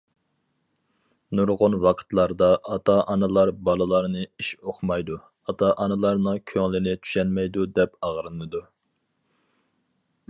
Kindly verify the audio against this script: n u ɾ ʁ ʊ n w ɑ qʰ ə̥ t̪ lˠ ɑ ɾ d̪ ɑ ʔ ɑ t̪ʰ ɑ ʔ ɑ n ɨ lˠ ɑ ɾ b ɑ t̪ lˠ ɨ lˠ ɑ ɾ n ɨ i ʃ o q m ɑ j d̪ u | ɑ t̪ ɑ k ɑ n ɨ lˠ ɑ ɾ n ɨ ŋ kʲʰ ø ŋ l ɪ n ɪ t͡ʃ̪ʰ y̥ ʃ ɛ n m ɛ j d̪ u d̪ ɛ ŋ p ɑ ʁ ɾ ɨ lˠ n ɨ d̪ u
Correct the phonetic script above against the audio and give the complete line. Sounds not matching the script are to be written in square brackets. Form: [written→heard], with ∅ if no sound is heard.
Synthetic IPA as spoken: n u ɾ ʁ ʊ n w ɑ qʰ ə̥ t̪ lˠ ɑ ɾ d̪ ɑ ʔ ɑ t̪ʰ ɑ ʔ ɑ n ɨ lˠ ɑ ɾ b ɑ [t̪→∅] lˠ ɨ lˠ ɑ ɾ n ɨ i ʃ o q m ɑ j d̪ u | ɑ t̪ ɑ [k→ʔ] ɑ n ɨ lˠ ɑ ɾ n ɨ ŋ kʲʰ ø ŋ l ɪ n ɪ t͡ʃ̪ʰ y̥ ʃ ɛ n m ɛ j d̪ u d̪ ɛ [ŋ→∅] p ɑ ʁ ɾ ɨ [lˠ→∅] n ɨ d̪ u